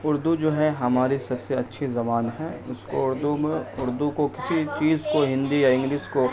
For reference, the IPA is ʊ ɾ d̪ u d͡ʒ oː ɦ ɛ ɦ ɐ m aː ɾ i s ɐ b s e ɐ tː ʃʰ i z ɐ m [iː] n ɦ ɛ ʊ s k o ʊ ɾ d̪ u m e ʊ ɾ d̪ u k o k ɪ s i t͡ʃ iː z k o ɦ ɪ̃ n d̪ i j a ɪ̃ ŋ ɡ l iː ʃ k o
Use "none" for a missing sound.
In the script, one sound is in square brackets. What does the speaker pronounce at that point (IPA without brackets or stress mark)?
aː